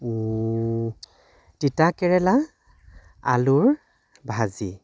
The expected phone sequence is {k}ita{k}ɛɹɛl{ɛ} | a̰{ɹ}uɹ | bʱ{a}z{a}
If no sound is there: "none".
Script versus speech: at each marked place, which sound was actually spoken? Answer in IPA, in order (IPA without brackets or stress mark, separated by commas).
t, k, a, l, a, i